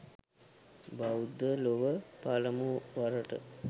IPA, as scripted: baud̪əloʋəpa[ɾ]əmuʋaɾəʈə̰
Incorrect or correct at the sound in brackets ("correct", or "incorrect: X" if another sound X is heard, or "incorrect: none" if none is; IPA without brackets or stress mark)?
incorrect: l